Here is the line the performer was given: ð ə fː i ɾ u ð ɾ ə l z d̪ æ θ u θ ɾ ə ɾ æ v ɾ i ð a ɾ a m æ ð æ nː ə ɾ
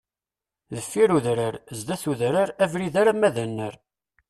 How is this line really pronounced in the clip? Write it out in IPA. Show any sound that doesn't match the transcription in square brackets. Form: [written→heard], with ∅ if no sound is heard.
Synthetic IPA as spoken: ð ə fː i ɾ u ð ɾ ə [l→ɾ] z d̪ æ θ u [θ→ð] ɾ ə ɾ æ v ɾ i ð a ɾ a m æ ð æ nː ə ɾ